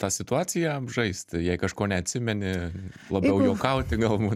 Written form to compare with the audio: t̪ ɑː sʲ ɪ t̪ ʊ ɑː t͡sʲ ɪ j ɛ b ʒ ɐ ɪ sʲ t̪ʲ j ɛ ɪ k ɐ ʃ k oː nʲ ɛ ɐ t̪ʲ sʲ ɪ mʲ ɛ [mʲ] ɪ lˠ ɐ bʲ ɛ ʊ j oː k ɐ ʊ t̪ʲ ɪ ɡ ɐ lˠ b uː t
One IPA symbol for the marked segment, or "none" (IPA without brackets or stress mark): nʲ